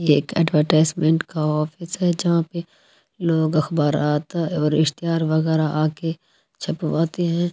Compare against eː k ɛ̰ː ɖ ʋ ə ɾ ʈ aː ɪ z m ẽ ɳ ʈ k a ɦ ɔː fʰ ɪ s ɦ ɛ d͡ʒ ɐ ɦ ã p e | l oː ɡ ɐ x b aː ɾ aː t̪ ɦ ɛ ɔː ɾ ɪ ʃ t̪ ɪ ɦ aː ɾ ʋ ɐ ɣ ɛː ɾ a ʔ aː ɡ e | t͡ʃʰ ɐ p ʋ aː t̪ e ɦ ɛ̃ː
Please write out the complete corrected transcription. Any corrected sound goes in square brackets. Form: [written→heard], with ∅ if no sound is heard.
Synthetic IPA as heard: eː k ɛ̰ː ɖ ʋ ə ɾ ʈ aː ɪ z m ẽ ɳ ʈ k a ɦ ɔː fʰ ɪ s ɦ ɛ d͡ʒ ɐ ɦ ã p e | l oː ɡ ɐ x b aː ɾ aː t̪ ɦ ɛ ɔː ɾ ɪ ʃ t̪ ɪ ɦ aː ɾ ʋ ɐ ɣ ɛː ɾ a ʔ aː [ɡ→k] e | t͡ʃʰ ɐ p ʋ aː t̪ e ɦ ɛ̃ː